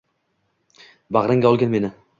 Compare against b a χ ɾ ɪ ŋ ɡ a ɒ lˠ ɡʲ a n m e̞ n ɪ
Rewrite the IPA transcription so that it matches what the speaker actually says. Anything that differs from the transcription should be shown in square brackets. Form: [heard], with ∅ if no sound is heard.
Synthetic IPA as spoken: b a [ʁ] ɾ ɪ ŋ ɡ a ɒ lˠ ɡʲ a n m e̞ n ɪ